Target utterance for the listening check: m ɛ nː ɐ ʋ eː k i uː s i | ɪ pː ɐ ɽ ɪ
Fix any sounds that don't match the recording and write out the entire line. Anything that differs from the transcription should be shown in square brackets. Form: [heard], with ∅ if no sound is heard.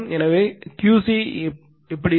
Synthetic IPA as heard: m ɛ [n] ɐ ʋ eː k [j] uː s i | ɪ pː ɐ ɽ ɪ